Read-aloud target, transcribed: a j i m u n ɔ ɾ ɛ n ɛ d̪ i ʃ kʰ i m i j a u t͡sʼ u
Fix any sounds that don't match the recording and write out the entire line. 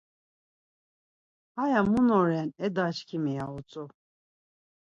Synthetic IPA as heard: a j a m u n ɔ ɾ ɛ n ɛ d̪ a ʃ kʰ i m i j a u t͡sʼ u